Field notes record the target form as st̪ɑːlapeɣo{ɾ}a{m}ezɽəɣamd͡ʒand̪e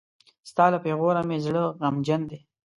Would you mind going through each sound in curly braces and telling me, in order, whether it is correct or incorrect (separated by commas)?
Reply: correct, correct